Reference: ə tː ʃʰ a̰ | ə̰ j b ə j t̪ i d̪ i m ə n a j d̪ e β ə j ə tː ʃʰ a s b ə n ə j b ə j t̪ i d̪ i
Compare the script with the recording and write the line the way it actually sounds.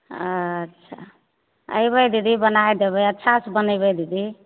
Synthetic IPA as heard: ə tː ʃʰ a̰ | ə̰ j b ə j d̪ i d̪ i b ə n a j d̪ e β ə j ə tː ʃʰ a s b ə n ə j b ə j d̪ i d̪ i